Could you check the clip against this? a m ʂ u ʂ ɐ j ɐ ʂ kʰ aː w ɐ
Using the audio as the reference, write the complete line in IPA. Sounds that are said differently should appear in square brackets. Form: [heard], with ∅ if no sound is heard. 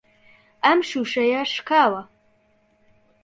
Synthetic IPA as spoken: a m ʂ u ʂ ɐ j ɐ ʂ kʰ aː w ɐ